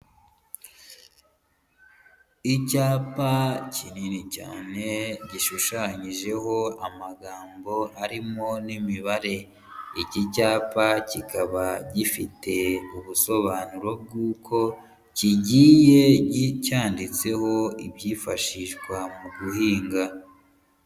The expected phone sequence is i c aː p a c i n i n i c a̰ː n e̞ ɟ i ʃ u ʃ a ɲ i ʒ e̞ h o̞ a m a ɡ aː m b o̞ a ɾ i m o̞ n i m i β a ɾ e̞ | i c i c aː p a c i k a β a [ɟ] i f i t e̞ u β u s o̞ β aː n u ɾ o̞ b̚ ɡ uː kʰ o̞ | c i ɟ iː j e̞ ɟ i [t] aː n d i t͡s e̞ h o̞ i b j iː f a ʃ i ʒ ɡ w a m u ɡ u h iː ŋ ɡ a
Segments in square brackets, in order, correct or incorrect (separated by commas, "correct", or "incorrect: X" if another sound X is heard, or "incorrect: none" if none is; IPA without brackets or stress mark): correct, incorrect: c